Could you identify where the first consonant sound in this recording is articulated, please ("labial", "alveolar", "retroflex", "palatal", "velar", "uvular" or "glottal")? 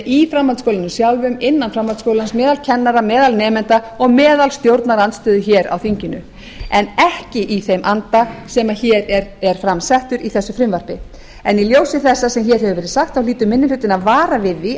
labial